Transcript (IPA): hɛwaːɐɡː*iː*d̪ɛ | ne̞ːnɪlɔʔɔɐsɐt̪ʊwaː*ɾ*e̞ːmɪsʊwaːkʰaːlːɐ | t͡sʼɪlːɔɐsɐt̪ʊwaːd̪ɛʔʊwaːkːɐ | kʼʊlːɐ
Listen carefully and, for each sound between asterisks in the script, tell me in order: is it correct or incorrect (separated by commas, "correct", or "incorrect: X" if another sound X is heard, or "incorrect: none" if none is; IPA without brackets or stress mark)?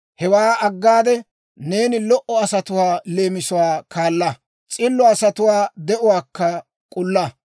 incorrect: aː, incorrect: l